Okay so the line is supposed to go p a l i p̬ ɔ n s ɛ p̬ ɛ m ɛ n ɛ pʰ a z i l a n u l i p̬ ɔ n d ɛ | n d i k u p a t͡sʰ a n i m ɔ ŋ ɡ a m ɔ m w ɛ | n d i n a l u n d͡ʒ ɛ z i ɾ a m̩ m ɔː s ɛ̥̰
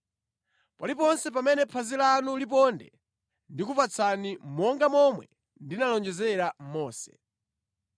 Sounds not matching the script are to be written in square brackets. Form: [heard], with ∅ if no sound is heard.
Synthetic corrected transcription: p a l i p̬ ɔ n s ɛ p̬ [a] m ɛ n ɛ pʰ a z i l a n u l i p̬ ɔ n d ɛ | n d i k u p a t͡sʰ a n i m ɔ ŋ ɡ a m ɔ m w ɛ | n d i n a l [ɔ] n d͡ʒ ɛ z [ɛ] ɾ a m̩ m ɔː s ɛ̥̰